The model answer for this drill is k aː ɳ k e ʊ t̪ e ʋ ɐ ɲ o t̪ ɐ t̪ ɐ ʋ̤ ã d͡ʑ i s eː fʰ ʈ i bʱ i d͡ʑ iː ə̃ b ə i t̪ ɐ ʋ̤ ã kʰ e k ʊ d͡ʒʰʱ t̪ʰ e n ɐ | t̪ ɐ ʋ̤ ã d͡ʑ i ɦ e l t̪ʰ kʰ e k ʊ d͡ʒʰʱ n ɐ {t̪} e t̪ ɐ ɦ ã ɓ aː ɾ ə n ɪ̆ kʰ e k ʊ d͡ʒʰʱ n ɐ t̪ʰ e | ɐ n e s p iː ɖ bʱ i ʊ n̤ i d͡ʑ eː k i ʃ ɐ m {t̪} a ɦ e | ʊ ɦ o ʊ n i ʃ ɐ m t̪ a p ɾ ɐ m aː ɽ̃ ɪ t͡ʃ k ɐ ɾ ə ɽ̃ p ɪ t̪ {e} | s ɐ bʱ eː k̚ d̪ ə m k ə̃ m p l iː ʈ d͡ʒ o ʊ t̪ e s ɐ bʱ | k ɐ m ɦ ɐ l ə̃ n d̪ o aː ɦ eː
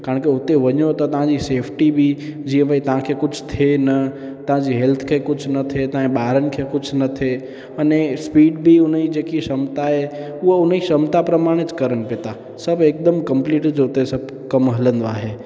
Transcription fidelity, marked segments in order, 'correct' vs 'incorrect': incorrect, correct, incorrect

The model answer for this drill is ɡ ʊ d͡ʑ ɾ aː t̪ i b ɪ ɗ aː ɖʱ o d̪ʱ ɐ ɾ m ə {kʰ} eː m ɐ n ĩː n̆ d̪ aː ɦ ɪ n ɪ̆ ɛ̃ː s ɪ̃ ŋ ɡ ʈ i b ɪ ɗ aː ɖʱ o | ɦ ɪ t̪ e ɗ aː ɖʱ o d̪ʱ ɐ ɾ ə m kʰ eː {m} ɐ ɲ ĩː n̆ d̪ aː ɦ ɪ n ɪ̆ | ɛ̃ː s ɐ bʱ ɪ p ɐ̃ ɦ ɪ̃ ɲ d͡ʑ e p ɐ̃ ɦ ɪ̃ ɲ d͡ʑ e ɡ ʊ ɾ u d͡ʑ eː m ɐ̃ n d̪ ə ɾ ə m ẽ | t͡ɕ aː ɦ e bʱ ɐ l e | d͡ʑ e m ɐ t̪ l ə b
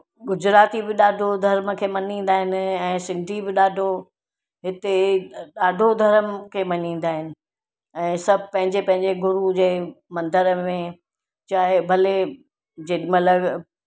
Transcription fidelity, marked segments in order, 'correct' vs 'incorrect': correct, correct

